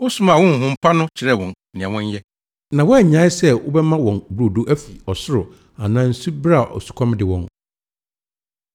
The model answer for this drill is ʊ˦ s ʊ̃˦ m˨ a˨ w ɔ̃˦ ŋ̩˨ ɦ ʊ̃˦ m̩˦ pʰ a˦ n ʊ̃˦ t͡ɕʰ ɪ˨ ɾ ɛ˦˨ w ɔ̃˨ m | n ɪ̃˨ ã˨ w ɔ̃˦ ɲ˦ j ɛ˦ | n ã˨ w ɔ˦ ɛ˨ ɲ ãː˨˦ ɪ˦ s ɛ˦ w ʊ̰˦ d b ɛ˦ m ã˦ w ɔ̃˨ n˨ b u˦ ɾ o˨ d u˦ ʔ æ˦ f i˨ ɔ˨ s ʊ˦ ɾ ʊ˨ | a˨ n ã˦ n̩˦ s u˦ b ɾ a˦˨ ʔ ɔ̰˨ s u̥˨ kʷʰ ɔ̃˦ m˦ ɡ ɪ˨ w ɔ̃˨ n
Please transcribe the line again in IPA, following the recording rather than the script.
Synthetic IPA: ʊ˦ s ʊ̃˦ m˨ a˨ w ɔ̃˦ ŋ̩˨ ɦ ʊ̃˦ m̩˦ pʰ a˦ n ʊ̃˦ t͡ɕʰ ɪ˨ ɾ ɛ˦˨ w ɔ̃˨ n | n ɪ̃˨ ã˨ w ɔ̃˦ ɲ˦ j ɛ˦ | n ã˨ w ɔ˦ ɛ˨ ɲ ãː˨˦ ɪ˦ s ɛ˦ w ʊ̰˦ b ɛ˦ m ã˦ w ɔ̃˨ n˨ b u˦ ɾ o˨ d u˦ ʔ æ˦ f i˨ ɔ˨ s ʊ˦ ɾ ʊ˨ | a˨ n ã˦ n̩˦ s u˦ b ɾ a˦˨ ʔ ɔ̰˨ s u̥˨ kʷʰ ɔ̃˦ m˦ d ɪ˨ w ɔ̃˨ n